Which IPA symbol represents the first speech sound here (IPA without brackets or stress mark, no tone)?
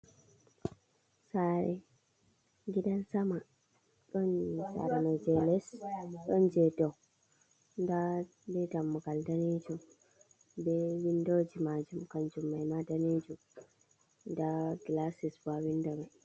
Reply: s